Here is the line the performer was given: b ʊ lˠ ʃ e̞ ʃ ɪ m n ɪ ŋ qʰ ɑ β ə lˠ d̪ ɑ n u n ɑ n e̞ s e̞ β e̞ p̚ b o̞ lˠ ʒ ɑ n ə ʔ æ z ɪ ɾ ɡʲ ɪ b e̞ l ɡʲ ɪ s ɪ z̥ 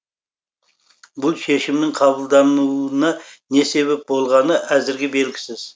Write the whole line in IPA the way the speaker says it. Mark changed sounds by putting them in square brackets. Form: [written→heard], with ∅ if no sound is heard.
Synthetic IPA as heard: b ʊ lˠ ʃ e̞ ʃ ɪ m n ɪ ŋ qʰ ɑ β ə lˠ d̪ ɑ n u n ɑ n e̞ s e̞ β e̞ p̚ b o̞ lˠ [ʒ→ʁ] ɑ n ə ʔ æ z ɪ ɾ ɡʲ ɪ b e̞ l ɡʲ ɪ s ɪ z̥